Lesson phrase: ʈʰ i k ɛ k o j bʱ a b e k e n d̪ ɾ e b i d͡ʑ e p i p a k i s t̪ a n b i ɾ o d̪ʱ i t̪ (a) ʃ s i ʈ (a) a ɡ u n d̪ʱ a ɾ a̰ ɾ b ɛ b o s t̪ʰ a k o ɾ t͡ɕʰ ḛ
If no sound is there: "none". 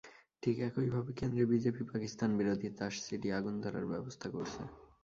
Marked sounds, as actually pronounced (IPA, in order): a, i

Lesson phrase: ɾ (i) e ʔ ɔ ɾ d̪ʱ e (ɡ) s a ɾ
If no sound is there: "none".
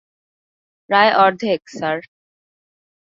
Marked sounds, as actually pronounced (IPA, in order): a, k

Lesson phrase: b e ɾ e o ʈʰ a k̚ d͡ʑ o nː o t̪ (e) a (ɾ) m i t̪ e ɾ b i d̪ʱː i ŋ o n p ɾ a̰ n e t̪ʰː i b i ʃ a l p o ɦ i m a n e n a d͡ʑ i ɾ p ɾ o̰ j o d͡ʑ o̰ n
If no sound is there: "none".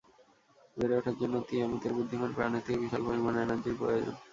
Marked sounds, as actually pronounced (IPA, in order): i, none

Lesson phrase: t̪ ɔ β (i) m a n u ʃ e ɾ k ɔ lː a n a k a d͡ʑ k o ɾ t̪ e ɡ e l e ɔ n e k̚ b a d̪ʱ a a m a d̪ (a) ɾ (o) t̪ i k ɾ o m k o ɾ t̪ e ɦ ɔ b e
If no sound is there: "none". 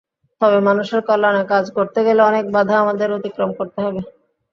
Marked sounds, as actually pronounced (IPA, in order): e, e, o

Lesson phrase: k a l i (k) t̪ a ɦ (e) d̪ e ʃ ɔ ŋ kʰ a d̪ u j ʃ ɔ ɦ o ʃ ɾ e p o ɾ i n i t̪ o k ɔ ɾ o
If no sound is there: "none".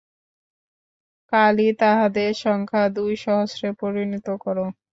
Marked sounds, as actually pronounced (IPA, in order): none, a

